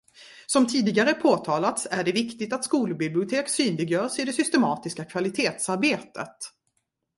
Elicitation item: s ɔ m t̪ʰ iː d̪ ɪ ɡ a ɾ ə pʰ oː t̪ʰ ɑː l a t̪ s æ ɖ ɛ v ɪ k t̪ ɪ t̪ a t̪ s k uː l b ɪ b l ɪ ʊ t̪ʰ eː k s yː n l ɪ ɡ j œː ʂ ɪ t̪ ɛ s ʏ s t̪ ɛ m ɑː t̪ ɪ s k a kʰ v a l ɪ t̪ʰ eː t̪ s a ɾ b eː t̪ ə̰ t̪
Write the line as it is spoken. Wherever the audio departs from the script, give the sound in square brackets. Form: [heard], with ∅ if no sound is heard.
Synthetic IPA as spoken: s ɔ m t̪ʰ iː d̪ ɪ ɡ a ɾ ə pʰ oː t̪ʰ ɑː l a t̪ s æ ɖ ɛ v ɪ k t̪ ɪ t̪ a t̪ s k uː l b ɪ b l ɪ ʊ t̪ʰ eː k s yː n l ɪ ɡ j œː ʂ ɪ [d̪] ɛ s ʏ s t̪ ɛ m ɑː t̪ ɪ s k a kʰ v a l ɪ t̪ʰ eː t̪ s a ɾ b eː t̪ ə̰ t̪